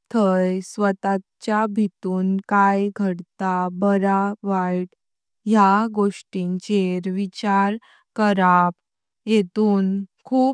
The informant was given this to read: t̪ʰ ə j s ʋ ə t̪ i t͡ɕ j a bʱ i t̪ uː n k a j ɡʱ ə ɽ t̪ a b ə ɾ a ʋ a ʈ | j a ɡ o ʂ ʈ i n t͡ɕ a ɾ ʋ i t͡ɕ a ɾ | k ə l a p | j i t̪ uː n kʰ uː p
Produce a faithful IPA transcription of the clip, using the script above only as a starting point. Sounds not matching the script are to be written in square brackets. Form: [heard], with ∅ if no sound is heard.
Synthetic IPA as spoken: t̪ʰ ə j s ʋ ə t̪ [a] t͡ɕ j a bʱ i t̪ uː n k a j ɡʱ ə ɽ t̪ a b ə ɾ a ʋ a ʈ | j a ɡ o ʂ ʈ i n t͡ɕ [e] ɾ ʋ i t͡ɕ a ɾ | k ə [ɾ] a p | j [e] t̪ uː n kʰ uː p